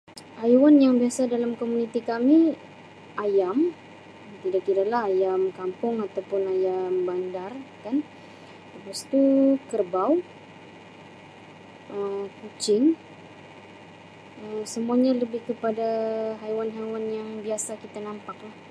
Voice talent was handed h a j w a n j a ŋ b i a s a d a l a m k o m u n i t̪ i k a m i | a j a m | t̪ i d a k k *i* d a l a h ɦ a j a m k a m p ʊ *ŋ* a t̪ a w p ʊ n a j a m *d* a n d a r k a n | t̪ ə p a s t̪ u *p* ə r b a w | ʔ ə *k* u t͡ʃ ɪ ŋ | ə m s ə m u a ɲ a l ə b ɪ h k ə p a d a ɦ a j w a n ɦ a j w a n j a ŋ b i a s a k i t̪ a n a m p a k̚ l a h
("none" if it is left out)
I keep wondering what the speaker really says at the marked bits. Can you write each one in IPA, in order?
i, ŋ, b, k, k

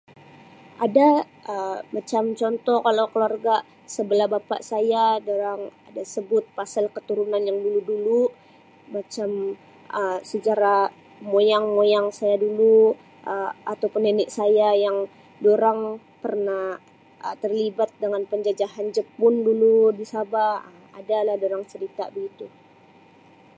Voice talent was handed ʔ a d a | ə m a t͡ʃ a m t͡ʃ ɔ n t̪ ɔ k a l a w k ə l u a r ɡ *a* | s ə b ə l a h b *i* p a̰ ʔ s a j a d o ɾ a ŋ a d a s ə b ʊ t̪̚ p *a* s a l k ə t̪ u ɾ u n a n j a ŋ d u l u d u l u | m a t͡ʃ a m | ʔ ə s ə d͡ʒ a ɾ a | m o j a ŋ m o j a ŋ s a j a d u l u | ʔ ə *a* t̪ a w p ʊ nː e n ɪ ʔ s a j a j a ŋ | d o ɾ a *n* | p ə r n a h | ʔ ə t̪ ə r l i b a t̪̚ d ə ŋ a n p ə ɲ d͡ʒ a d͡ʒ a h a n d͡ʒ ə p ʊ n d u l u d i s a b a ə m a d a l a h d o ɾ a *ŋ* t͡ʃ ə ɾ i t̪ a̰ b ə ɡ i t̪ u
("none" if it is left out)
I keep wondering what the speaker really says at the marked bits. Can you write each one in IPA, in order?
a, a, a, a, ŋ, ŋ

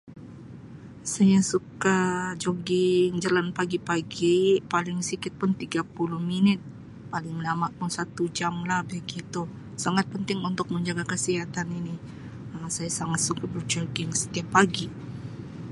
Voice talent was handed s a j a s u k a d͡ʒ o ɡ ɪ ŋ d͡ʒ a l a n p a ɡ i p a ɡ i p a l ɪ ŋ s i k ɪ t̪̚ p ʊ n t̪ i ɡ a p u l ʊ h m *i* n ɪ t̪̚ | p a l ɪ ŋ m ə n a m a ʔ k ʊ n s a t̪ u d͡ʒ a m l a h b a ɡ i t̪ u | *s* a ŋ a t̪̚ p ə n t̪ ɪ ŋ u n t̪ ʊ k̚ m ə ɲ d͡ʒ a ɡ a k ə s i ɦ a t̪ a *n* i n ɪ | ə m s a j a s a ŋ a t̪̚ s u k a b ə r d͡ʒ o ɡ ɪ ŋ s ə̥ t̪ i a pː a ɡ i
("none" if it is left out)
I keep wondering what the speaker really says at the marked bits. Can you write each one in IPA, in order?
i, s, n

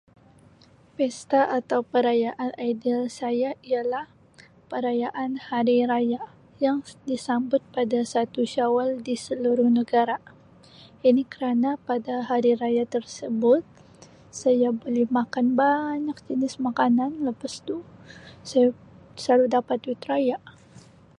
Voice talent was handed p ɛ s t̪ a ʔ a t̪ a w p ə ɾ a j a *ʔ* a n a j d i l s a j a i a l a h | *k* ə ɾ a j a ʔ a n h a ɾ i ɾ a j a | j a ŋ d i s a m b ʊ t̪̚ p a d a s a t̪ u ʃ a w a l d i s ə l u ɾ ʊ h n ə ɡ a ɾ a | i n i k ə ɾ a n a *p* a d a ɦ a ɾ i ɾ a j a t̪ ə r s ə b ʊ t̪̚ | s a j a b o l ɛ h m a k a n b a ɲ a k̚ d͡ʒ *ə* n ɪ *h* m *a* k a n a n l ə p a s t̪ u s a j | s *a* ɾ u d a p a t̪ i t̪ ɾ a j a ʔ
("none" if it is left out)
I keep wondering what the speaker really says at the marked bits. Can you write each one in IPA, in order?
ʔ, p, p, ə, s, a, a

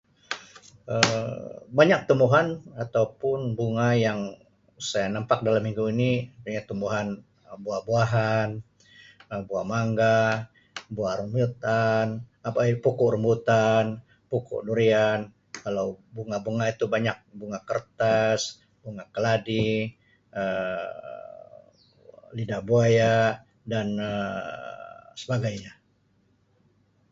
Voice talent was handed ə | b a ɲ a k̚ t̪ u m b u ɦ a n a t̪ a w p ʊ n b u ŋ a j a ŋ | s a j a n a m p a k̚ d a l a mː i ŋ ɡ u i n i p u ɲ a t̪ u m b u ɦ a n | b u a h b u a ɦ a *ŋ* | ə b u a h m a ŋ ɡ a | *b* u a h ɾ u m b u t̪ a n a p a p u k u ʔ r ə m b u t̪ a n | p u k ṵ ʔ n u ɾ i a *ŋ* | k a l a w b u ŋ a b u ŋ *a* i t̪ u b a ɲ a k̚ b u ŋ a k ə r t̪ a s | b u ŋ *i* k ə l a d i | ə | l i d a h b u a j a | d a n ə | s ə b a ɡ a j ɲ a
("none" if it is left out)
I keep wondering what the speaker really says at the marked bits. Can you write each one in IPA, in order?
n, b, n, a, a

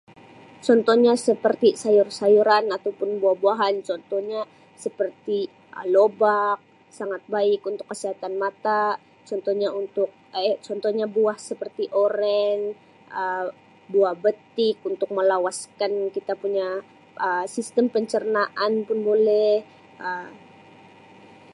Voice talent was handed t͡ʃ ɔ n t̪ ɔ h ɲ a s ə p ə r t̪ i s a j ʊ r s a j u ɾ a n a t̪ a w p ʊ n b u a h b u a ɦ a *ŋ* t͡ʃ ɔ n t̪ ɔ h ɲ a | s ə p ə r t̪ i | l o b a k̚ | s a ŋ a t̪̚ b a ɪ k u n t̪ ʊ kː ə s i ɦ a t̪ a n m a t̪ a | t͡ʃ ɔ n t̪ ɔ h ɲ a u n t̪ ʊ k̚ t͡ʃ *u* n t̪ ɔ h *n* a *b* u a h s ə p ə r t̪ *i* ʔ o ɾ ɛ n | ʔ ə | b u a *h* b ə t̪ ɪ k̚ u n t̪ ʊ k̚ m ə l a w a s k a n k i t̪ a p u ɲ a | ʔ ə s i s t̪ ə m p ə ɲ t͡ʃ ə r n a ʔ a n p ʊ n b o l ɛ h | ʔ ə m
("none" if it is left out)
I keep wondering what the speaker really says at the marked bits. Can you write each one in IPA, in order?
n, ɔ, ɲ, b, i, h

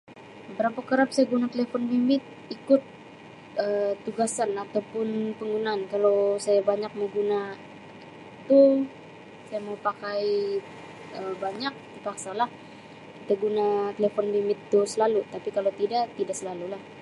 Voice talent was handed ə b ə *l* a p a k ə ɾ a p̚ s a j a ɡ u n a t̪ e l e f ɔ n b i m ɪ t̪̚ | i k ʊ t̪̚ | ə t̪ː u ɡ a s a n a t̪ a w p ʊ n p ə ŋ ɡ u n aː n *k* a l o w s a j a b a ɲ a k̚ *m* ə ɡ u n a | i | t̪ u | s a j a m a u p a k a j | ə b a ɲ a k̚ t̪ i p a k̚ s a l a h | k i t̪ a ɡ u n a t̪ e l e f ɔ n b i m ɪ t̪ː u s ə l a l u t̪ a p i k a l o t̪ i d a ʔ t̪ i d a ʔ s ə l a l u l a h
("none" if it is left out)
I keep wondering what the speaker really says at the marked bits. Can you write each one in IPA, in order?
ɾ, k, m

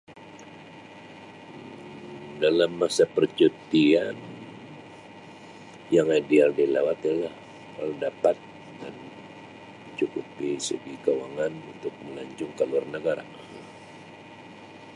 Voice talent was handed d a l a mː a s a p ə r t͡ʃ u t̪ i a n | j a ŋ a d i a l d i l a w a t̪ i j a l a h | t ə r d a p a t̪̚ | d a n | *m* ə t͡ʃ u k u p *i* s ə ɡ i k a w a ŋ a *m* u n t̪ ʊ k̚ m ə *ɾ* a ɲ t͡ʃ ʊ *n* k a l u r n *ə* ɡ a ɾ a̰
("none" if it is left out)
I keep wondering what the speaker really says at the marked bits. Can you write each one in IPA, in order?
m, i, n, l, ŋ, ə

